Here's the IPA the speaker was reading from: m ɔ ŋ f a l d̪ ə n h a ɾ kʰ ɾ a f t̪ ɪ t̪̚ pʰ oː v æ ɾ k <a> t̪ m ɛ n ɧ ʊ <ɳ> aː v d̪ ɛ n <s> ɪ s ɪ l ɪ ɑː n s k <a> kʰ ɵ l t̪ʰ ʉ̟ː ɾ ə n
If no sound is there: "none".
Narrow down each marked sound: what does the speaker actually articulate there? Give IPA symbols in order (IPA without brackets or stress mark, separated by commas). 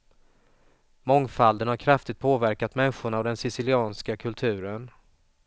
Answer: a, ɳ, s, a